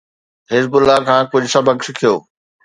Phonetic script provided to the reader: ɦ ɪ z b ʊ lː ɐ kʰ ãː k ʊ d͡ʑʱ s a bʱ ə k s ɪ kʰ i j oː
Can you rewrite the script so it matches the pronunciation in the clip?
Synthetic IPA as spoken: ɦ ɪ z b ʊ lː a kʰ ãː k ʊ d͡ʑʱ s ɐ bʱ ə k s ɪ kʰ i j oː